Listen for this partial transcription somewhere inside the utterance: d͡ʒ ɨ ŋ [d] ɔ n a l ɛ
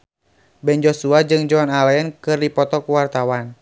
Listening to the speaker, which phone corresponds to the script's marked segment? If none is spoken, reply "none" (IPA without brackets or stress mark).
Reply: d͡ʒ